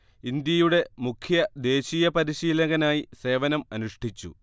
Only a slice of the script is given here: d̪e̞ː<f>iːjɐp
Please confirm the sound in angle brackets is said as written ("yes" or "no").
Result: no